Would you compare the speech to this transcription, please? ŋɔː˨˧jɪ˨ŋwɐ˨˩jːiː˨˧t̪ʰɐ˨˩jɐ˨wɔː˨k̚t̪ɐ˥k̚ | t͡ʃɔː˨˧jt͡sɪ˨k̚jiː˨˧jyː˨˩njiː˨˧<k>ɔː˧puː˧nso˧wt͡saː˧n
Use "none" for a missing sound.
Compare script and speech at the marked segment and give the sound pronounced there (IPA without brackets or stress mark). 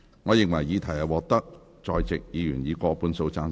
k